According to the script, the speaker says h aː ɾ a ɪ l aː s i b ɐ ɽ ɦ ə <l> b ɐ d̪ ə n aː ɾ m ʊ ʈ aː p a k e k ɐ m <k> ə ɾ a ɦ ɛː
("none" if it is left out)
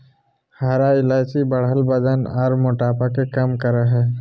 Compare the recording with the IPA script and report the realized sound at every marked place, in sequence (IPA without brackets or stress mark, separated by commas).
l, k